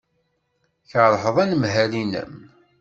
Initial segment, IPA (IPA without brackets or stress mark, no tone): ç